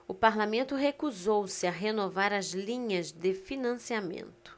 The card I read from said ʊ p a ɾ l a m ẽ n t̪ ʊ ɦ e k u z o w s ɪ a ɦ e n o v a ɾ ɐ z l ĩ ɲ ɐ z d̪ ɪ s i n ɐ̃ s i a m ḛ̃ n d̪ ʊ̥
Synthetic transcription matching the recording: ʊ p a ɾ l a m ẽ n t̪ ʊ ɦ e k u z o w s ɪ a ɦ e n o v a ɾ ɐ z l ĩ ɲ ɐ z d̪ ɪ f i n ɐ̃ s i a m ḛ̃ n t̪ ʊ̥